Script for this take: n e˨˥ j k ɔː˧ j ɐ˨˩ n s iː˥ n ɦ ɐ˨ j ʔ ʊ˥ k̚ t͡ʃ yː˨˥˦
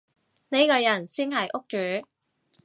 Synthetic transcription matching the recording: n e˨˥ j k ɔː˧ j ɐ˨˩ n s iː˥ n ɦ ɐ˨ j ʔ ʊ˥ k̚ t͡ʃ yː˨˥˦